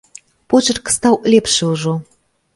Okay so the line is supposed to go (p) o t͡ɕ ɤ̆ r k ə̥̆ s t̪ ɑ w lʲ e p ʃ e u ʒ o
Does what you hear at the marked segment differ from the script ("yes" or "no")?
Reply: no